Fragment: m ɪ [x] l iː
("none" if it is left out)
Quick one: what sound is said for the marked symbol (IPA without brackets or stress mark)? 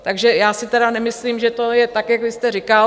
s